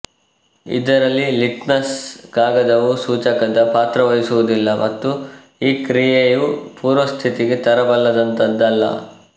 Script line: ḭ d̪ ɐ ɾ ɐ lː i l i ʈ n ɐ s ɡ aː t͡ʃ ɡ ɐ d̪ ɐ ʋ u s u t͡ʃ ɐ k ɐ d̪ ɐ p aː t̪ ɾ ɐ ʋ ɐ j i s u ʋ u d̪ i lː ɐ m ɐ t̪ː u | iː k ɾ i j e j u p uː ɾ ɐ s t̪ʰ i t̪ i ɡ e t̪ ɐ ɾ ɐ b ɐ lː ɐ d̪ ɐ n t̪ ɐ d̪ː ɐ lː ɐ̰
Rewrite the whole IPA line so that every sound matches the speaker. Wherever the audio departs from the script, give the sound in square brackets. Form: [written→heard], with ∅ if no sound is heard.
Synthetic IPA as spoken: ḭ d̪ ɐ ɾ ɐ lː i l i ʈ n ɐ s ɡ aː [t͡ʃ→∅] ɡ ɐ d̪ ɐ ʋ u s [u→uː] t͡ʃ ɐ k ɐ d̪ ɐ p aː t̪ ɾ ɐ ʋ ɐ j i s u ʋ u d̪ i lː ɐ m ɐ t̪ː u | iː k ɾ i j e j u p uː ɾ ɐ s t̪ʰ i t̪ i ɡ e t̪ ɐ ɾ ɐ b ɐ lː ɐ d̪ ɐ n t̪ ɐ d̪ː ɐ lː ɐ̰